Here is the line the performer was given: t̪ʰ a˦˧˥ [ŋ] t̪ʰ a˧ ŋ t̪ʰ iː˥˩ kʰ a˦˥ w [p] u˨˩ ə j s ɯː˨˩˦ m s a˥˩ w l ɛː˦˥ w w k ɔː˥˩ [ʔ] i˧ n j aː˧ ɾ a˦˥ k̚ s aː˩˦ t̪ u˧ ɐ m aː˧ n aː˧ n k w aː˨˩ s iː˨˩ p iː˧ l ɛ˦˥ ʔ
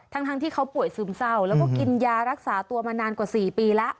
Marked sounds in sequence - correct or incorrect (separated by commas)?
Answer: correct, correct, incorrect